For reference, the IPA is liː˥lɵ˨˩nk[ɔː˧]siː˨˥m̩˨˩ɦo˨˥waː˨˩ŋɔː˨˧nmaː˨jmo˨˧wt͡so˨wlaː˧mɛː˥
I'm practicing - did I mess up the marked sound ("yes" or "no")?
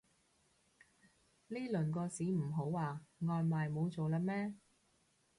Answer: no